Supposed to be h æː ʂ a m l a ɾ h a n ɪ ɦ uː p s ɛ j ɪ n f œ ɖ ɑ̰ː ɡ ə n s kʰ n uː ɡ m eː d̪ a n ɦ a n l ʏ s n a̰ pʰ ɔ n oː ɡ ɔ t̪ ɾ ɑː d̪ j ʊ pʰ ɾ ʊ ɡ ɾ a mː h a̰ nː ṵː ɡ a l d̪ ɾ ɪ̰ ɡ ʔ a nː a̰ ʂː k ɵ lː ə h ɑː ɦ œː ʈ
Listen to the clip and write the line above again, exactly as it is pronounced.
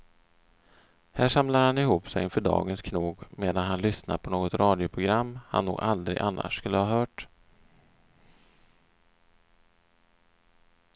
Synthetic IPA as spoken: h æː ʂ a m l a ɾ h a n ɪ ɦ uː p s ɛ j ɪ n f œ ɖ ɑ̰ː ɡ ə n s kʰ n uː ɡ m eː d̪ a n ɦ a n l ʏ s n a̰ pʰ ɔ n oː ɡ ɔ t̪ ɾ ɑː d̪ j ʊ pʰ ɾ ʊ ɡ ɾ a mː h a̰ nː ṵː ɡ a l d̪ ɾ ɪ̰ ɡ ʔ a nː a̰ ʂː k ɵ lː ə h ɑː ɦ œː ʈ